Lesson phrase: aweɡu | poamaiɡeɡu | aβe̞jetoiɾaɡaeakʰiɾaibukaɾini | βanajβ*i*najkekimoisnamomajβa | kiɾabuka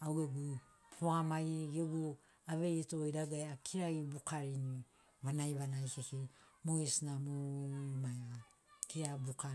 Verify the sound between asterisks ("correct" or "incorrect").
incorrect